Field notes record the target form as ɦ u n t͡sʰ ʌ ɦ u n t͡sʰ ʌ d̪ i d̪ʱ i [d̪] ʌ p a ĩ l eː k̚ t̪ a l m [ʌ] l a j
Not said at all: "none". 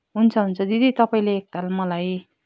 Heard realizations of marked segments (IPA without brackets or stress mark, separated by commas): t̪, ʌ